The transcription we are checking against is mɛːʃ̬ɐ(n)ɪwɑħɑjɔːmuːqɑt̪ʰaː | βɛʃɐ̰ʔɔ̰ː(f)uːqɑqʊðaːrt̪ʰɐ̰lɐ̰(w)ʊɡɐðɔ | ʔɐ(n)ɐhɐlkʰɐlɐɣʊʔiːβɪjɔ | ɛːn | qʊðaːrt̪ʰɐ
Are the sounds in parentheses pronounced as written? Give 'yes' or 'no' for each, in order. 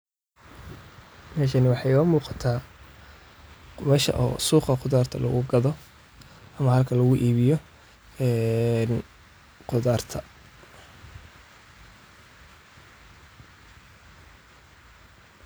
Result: yes, no, no, no

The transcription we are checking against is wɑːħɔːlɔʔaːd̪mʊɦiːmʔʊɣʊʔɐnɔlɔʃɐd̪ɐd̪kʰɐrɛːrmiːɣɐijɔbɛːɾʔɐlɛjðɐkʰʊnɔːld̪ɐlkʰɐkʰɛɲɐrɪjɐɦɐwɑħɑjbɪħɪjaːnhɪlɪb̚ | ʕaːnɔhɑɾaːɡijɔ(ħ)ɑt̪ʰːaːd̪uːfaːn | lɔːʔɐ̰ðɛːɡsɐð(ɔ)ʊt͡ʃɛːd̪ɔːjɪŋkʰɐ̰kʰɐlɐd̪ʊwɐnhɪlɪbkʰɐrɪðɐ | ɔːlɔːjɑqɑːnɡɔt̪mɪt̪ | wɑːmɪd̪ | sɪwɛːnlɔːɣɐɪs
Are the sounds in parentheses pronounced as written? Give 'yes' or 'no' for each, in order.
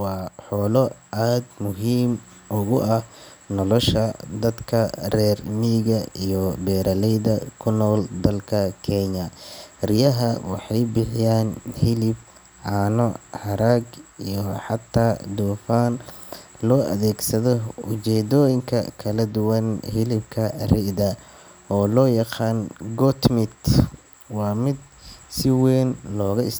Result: yes, yes

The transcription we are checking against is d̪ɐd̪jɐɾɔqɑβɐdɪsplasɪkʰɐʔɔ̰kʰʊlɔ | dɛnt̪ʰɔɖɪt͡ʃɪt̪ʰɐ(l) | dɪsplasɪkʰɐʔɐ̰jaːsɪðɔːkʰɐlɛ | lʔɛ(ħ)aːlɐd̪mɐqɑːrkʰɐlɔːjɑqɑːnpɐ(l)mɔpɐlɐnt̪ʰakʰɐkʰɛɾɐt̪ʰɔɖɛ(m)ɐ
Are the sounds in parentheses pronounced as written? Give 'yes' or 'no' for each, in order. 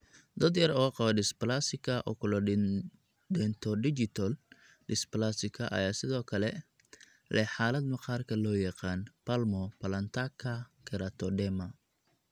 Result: yes, yes, yes, yes

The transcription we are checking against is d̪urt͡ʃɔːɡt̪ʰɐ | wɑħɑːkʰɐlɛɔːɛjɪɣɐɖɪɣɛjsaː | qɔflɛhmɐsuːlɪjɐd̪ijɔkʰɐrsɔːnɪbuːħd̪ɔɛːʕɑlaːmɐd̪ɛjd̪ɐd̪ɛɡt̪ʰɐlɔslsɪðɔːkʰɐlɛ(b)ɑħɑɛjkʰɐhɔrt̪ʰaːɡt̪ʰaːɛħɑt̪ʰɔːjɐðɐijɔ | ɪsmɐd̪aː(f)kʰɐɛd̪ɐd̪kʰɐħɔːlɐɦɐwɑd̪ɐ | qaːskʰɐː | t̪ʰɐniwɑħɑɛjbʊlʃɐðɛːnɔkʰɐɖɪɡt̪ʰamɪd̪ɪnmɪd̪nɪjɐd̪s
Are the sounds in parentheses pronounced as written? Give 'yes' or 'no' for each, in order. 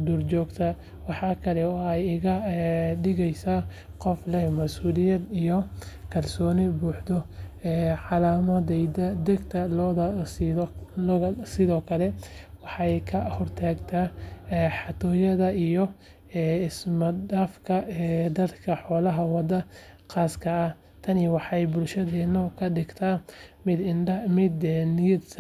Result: no, yes

